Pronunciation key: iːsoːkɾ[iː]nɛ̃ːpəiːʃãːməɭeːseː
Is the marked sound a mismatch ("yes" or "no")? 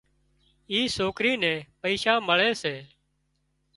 no